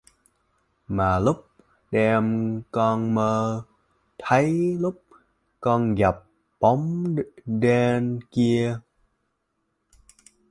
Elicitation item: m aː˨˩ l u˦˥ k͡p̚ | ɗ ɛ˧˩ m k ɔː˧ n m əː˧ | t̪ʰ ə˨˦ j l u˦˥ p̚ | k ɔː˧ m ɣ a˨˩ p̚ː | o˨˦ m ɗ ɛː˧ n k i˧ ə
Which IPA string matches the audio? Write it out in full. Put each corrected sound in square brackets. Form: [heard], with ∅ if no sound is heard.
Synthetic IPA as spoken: m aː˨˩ l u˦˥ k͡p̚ | ɗ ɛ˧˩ m k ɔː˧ n m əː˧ | t̪ʰ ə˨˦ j l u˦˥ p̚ | k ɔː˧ [n] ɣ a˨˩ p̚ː | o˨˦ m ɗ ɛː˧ n k i˧ ə